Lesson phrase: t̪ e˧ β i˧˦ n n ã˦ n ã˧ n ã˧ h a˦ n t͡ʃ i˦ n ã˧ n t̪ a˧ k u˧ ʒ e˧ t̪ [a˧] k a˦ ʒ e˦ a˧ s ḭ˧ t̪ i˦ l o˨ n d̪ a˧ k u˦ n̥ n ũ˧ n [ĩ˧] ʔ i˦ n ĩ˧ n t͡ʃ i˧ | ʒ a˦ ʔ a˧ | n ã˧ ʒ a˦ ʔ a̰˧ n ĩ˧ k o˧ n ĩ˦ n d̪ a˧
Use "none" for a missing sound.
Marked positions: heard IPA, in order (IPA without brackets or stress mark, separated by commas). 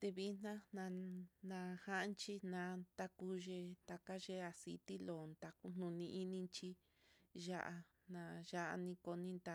a˧, ĩ˧